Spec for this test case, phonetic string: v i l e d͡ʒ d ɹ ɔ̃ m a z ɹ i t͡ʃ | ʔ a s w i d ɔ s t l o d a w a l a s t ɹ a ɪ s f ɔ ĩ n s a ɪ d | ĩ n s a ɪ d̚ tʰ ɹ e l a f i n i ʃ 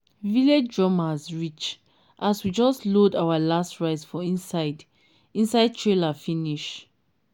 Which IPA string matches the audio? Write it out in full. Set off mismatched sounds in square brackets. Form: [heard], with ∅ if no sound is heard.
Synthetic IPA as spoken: v i l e d͡ʒ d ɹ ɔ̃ m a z ɹ i t͡ʃ | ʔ a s w i [d͡ʒ] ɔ s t l o d a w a l a s t ɹ a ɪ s f ɔ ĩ n s a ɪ d | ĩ n s a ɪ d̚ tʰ ɹ e l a f i n i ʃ